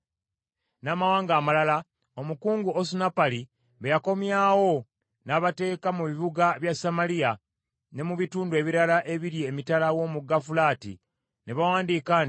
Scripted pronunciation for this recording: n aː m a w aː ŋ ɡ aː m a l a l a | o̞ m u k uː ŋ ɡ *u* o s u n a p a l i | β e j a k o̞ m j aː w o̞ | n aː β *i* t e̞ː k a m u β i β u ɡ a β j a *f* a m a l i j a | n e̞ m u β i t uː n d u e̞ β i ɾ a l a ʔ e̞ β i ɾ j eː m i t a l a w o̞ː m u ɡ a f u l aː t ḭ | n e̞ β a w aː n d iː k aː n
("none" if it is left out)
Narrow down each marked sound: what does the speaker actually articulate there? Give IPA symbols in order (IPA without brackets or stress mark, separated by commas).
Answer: u, a, s